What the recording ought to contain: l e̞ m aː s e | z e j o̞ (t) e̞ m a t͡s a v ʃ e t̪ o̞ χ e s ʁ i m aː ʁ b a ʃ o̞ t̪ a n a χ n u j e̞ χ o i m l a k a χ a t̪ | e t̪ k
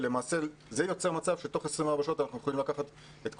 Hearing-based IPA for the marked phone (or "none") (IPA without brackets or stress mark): t͡s